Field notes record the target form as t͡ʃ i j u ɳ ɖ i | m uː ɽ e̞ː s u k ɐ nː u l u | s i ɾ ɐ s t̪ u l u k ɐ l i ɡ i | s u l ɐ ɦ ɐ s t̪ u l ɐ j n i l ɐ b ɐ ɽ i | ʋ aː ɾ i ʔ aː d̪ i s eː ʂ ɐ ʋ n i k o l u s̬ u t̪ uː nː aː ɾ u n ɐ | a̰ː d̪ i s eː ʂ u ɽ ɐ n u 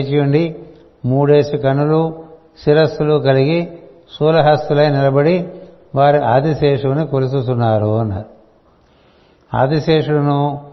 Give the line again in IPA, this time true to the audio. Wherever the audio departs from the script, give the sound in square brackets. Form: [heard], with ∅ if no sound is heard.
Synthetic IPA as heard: t͡ʃ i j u ɳ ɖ i | m uː ɽ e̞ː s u k ɐ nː u l u | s i ɾ ɐ s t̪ u l u k ɐ l i ɡ i | s [uː] l ɐ ɦ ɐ s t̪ u l ɐ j n i l ɐ b ɐ ɽ i | ʋ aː ɾ i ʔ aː d̪ i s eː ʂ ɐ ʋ n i k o l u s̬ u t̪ [u] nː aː ɾ u n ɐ | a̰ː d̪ i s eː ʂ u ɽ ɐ n u